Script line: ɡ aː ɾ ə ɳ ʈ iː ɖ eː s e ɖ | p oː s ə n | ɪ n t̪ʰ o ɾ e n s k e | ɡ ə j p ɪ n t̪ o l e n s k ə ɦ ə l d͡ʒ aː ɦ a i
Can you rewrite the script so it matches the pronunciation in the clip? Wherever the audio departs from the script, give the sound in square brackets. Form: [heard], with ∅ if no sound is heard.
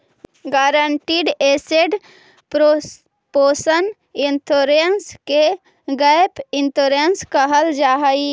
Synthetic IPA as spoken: ɡ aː ɾ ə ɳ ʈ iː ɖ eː s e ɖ | p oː s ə n | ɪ n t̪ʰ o ɾ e n s k e | ɡ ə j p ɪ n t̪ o [ɾ] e n s k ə ɦ ə l d͡ʒ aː ɦ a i